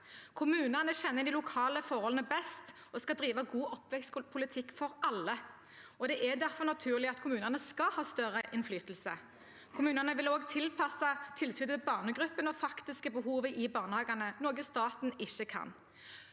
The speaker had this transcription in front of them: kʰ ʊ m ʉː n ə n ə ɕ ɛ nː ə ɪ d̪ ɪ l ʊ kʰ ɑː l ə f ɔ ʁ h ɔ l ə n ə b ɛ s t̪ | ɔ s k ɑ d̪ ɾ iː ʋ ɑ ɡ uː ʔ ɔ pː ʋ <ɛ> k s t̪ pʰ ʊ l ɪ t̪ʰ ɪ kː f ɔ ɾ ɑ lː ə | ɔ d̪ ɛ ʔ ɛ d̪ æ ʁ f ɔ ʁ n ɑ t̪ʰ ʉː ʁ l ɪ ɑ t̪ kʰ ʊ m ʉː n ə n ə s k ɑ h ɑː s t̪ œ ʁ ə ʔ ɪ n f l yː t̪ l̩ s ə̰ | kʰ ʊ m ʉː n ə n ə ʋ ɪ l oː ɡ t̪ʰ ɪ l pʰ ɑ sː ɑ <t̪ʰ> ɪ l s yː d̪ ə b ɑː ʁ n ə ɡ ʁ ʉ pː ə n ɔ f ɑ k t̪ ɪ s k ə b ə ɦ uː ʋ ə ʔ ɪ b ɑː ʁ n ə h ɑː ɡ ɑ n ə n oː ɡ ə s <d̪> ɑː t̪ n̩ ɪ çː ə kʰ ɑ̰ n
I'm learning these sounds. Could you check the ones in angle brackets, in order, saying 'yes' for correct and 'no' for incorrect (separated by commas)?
yes, yes, no